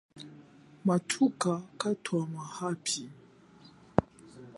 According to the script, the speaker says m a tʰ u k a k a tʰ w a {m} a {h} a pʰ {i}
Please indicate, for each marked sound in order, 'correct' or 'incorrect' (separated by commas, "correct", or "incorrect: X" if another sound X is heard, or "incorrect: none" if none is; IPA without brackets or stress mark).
correct, correct, correct